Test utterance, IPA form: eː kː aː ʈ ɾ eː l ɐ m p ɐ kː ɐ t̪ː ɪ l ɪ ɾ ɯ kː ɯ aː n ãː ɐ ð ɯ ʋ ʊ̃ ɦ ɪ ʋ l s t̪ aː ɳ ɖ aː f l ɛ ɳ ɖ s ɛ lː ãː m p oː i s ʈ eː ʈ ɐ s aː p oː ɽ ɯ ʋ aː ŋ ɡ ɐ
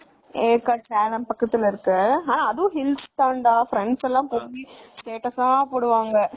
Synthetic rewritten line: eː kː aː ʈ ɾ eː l ɐ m p ɐ kː ɐ t̪ː ɪ l ɪ ɾ ɯ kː ɯ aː n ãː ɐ ð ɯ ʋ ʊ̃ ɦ ɪ l s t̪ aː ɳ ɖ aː f ɾ ɛ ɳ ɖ s ɛ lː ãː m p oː i s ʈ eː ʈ ɐ s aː p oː ɽ ɯ ʋ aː ŋ ɡ ɐ